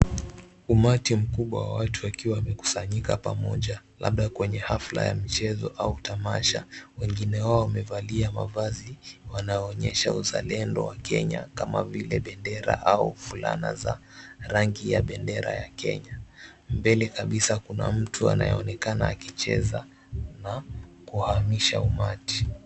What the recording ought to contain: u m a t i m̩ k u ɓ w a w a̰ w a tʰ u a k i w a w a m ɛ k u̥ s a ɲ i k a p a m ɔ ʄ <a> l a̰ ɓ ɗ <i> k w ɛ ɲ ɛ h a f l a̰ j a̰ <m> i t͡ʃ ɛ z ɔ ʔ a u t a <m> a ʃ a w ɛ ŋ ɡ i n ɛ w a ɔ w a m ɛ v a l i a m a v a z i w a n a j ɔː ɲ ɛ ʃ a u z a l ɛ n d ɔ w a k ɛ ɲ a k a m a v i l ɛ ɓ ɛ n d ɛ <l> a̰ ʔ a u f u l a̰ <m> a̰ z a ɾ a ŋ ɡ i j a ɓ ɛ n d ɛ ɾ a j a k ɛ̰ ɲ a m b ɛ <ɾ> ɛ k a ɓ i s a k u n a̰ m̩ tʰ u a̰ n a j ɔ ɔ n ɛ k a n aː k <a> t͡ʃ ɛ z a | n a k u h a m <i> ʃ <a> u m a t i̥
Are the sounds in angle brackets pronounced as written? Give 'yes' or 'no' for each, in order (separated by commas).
yes, no, yes, yes, no, no, no, no, yes, yes